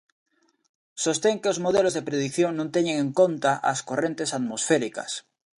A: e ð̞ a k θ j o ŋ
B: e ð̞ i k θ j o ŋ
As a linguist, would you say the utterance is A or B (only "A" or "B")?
B